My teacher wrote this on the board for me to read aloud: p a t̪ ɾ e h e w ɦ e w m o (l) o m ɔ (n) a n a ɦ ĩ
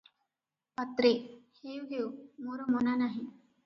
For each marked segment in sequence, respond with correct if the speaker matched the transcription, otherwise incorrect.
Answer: incorrect: ɾ, correct

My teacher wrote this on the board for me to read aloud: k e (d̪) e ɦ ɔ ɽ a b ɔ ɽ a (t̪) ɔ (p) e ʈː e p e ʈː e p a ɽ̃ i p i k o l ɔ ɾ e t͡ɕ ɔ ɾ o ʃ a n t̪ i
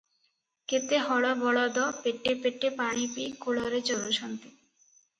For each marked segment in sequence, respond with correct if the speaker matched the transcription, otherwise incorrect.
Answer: incorrect: t̪, incorrect: d̪, correct

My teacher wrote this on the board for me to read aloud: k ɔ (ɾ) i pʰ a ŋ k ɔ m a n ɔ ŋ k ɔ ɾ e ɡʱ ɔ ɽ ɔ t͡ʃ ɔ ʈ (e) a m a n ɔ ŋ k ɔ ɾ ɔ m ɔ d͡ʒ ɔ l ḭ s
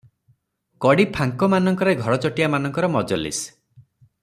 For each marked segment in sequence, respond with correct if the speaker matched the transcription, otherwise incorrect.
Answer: incorrect: ɽ, incorrect: i

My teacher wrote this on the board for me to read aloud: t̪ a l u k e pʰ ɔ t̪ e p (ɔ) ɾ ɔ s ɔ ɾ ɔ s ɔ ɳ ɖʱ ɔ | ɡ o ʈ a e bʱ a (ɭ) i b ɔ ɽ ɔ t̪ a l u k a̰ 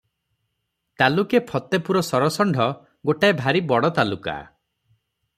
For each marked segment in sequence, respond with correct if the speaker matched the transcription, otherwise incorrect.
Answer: incorrect: u, incorrect: ɾ

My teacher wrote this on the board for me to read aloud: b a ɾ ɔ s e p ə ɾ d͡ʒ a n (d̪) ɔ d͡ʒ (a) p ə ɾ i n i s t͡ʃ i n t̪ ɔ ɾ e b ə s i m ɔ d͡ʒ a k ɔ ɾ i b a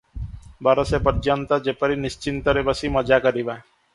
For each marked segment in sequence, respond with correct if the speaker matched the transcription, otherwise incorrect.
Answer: incorrect: t̪, incorrect: e

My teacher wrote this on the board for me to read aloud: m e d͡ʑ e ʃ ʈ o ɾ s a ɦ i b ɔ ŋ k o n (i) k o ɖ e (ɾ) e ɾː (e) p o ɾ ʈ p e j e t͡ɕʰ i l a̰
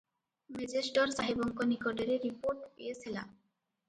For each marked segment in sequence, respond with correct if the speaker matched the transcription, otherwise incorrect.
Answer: correct, correct, incorrect: i

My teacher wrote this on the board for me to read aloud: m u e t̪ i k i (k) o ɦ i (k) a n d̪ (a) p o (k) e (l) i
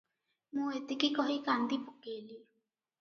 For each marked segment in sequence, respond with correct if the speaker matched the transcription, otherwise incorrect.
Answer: correct, correct, incorrect: i, correct, correct

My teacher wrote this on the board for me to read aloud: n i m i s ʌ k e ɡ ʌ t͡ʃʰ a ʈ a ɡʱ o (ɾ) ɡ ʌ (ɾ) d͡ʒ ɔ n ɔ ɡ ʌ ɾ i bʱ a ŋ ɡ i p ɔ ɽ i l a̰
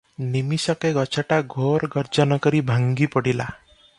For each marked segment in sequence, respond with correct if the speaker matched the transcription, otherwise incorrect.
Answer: correct, correct

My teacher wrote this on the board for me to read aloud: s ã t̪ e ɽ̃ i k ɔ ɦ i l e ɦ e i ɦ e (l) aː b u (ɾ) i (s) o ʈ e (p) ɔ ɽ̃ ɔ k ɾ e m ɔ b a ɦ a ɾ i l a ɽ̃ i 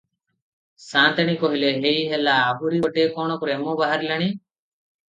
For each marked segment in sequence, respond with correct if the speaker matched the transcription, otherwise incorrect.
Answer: correct, correct, incorrect: none, incorrect: k

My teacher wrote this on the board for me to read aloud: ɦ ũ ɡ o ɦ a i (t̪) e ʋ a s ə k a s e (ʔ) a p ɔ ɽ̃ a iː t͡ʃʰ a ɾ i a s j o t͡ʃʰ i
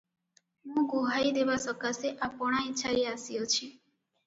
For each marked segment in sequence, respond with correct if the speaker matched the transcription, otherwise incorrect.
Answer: incorrect: d̪, correct

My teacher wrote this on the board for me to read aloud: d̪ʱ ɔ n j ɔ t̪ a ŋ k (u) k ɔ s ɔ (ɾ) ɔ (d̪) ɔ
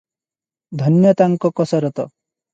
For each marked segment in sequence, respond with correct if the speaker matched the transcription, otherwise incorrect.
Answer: incorrect: ɔ, correct, incorrect: t̪

